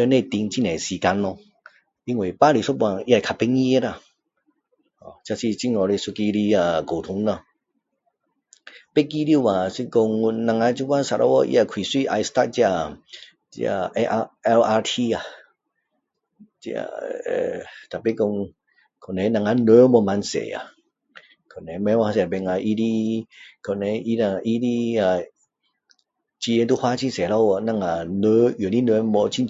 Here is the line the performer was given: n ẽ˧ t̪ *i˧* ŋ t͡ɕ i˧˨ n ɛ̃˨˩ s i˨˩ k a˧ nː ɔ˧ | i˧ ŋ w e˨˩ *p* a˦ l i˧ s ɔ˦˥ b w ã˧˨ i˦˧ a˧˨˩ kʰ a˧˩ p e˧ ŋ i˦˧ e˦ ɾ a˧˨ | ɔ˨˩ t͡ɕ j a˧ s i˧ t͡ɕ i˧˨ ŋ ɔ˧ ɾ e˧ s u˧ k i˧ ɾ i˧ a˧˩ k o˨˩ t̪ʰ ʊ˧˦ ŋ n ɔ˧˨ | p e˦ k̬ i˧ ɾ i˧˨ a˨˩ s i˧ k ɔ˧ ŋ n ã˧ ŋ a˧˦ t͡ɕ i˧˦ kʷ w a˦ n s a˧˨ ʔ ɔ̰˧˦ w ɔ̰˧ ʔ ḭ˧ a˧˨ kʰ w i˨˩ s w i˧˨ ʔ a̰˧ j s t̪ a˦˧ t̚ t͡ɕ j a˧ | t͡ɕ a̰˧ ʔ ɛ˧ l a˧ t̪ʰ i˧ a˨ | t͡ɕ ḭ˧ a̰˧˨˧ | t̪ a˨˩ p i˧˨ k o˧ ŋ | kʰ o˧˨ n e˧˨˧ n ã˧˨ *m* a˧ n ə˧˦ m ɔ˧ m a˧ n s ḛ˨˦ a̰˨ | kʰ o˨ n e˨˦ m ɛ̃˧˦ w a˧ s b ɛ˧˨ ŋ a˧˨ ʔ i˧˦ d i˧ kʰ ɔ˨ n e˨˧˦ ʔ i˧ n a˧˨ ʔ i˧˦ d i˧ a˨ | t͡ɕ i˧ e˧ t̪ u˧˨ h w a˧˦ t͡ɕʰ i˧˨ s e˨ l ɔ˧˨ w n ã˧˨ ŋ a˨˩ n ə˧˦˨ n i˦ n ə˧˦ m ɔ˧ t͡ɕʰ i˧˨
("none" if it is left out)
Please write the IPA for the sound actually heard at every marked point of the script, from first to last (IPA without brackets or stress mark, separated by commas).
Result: i˧, p, ŋ